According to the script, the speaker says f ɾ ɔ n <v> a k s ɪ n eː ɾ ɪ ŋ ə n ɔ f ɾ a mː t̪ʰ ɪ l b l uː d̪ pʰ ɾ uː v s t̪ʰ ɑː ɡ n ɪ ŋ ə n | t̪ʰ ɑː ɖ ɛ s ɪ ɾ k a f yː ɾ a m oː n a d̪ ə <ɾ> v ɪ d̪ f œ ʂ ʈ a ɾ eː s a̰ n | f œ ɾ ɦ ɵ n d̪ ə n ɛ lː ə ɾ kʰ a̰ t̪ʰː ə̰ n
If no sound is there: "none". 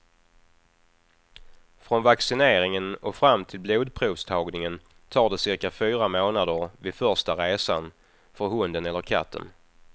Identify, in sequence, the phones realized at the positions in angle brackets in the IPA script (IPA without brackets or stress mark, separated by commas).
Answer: v, ɾ